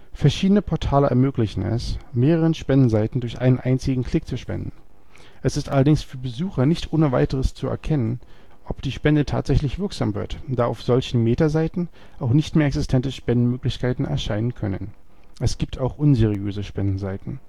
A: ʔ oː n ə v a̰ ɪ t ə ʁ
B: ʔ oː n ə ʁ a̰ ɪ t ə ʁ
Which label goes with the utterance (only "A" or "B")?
A